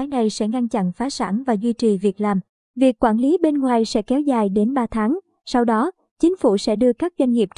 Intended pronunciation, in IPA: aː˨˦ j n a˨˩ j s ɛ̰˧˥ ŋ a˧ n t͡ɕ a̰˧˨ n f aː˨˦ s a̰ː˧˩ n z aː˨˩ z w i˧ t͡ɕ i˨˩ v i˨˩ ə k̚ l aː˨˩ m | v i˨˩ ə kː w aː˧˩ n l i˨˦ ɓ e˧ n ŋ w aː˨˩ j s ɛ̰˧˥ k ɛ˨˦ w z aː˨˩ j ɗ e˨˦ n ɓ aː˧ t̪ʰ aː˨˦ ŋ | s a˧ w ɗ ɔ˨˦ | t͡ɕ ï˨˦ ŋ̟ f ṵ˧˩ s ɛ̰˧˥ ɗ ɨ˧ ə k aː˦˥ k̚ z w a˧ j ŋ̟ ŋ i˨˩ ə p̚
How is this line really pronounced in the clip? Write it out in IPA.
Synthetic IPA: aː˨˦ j n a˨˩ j s ɛ̰˧˥ ŋ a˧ n t͡ɕ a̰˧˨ n f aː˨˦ s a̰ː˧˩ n v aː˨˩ z w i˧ t͡ɕ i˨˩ v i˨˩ ə k̚ l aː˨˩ m | v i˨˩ ə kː w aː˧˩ n l i˨˦ ɓ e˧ n ŋ w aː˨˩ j s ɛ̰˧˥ k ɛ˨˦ w z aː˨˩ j ɗ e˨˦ n ɓ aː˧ t̪ʰ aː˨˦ ŋ | s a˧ w ɗ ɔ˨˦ | t͡ɕ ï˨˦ ŋ̟ f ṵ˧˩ s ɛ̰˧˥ ɗ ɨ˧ ə k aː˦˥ k̚ z w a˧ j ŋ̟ ŋ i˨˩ ə p̚